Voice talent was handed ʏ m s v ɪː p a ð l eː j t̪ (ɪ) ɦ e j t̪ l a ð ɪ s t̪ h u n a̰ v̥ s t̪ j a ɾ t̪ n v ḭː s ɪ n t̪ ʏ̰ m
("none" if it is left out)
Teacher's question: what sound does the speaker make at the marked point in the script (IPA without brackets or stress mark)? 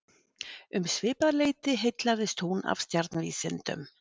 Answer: ɪ